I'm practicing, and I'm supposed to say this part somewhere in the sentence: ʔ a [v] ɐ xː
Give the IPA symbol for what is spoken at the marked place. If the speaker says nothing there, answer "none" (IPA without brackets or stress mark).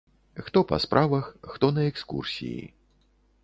v